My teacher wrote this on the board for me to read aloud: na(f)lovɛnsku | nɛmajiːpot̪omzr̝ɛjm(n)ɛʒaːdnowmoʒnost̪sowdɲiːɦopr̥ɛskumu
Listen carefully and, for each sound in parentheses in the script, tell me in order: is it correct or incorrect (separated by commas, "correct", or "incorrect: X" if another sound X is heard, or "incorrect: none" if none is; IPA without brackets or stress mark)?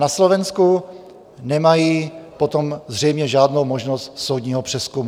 incorrect: s, incorrect: ɲ